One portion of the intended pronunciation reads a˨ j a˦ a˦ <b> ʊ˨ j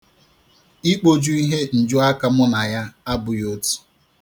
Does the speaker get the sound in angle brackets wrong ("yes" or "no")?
no